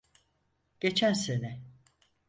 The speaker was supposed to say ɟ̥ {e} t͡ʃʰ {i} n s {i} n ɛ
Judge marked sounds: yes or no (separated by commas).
yes, no, no